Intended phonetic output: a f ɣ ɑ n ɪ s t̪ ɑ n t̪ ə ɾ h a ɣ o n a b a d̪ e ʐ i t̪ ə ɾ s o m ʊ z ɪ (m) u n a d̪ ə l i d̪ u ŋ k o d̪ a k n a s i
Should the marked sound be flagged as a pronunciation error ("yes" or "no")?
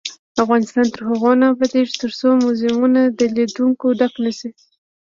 no